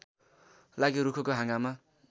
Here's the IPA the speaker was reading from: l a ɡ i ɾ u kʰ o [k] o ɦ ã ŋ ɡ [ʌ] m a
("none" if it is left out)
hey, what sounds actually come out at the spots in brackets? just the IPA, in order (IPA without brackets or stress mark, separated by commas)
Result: k, a